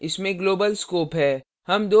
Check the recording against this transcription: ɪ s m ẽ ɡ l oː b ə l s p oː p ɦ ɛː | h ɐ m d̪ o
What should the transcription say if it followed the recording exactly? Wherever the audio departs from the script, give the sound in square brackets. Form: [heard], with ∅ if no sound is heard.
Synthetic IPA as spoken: ɪ s m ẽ ɡ l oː b ə l s [k] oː p ɦ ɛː | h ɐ m d̪ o